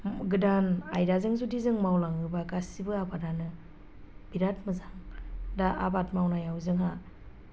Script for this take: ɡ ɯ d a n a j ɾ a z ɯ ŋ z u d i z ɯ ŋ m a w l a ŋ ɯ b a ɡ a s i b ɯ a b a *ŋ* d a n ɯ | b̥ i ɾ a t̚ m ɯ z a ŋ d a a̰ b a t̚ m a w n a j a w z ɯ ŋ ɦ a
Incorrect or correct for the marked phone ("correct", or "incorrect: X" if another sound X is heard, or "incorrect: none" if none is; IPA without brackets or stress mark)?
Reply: incorrect: none